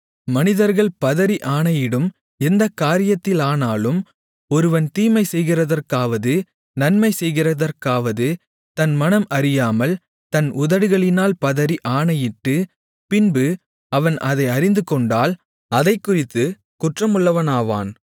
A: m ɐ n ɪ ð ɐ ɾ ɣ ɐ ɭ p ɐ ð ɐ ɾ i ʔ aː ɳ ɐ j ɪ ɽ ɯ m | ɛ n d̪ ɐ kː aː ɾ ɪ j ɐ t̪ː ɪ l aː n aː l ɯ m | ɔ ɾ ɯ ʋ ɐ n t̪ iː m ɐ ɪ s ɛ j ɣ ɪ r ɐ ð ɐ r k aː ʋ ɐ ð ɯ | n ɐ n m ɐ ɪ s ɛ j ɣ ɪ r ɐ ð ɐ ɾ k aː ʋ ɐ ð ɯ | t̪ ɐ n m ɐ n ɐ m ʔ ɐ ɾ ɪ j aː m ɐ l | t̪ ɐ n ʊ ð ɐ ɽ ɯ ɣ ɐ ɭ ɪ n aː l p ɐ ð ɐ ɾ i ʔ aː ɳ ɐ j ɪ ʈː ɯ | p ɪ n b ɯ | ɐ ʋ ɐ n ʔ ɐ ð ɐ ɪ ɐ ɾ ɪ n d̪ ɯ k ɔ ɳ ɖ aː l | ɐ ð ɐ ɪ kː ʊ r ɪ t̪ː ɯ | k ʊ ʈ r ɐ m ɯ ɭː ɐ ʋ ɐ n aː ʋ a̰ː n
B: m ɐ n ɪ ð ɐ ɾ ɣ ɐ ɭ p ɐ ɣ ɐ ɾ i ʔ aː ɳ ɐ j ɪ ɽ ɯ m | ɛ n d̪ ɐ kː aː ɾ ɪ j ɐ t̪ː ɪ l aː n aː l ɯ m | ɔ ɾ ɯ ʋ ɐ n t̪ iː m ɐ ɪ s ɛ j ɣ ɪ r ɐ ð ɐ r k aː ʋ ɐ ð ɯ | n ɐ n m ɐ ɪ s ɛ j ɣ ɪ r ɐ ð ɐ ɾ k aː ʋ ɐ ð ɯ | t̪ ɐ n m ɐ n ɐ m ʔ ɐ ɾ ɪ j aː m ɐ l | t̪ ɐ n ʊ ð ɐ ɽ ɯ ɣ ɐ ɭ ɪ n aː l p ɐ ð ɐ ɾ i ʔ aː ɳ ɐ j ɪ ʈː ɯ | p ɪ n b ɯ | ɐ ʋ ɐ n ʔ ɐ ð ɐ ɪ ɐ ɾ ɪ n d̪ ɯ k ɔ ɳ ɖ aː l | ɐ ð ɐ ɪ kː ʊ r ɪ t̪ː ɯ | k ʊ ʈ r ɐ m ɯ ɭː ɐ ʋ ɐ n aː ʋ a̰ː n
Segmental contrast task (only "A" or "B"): A